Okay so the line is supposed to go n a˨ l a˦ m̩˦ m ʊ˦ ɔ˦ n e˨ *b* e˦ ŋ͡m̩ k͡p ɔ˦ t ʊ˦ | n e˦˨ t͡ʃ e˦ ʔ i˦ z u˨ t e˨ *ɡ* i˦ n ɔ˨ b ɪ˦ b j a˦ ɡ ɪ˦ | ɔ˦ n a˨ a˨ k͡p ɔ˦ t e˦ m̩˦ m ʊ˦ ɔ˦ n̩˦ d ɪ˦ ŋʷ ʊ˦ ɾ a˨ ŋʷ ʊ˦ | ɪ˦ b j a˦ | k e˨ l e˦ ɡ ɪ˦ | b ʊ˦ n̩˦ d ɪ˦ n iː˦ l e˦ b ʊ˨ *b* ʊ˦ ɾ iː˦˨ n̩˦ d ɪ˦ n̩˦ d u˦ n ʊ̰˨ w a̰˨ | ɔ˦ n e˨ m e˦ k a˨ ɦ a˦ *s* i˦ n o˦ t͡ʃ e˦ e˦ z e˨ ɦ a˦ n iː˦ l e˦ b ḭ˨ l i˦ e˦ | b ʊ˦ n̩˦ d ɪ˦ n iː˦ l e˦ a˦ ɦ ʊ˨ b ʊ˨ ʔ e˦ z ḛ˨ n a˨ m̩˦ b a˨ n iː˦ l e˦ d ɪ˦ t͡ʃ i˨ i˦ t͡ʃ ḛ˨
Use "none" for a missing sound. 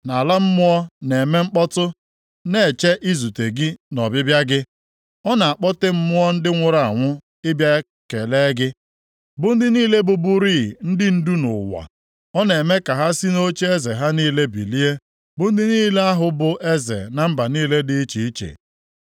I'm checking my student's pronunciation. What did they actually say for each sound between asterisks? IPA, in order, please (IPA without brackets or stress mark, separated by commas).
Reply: m, ɡ, b, s